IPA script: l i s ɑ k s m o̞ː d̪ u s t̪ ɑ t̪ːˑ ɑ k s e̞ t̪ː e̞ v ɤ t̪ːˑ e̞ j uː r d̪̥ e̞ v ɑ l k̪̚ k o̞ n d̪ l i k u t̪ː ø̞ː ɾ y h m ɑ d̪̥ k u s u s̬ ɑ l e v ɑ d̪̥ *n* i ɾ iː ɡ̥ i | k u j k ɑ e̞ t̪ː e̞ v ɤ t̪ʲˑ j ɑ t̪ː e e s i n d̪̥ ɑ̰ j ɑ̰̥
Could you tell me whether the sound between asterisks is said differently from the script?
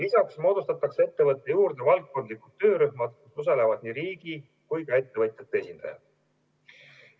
no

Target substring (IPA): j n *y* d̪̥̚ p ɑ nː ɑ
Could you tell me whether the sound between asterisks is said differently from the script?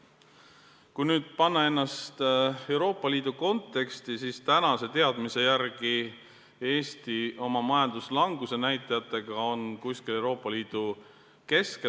yes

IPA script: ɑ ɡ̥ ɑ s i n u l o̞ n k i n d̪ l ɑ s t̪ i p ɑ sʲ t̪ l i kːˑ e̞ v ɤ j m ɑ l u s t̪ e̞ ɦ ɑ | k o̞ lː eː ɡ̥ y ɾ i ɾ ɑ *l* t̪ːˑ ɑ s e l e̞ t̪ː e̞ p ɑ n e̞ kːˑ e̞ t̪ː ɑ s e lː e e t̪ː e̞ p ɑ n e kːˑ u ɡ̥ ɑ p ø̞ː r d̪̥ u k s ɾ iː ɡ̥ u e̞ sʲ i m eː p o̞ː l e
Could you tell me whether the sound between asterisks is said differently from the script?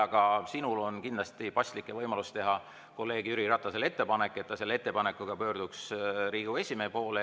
yes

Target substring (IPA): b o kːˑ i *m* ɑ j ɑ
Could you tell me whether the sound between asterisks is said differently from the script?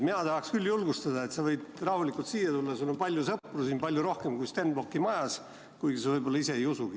no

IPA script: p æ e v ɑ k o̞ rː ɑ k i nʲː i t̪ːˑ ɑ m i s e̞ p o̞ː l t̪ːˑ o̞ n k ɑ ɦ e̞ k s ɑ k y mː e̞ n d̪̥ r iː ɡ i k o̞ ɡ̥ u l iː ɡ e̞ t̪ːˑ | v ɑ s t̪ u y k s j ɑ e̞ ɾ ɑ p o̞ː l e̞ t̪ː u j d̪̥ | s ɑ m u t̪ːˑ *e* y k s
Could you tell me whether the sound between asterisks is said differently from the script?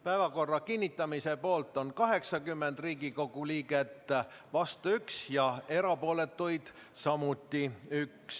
yes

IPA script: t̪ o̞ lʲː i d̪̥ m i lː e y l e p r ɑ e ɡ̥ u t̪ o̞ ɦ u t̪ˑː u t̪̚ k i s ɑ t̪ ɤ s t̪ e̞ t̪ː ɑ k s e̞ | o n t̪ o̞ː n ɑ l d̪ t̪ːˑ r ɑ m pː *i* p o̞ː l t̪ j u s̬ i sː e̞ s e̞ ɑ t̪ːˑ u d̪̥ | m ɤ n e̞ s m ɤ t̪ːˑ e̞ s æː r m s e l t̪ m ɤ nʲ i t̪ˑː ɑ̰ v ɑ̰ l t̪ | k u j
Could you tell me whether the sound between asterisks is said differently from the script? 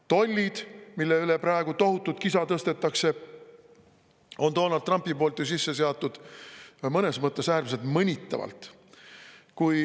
no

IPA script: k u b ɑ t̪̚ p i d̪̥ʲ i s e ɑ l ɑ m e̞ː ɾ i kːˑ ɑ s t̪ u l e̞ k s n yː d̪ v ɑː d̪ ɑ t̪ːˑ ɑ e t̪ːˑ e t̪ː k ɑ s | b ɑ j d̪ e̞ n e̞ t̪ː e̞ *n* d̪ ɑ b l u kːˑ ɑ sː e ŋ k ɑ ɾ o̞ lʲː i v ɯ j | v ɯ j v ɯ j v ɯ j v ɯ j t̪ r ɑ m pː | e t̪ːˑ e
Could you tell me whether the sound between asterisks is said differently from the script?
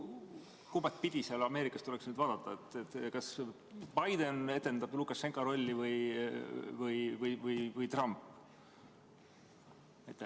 no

